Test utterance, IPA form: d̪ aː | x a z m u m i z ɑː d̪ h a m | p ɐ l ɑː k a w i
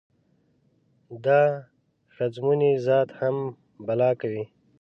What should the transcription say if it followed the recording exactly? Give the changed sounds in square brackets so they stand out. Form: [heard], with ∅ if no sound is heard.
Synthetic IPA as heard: d̪ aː | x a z m u [n] i z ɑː [t̪] h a m | [b] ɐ l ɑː k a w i